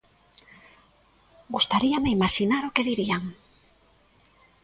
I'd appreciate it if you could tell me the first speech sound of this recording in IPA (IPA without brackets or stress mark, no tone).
ɡ